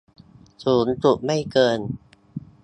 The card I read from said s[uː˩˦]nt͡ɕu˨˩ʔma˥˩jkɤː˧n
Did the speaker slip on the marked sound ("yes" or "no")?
no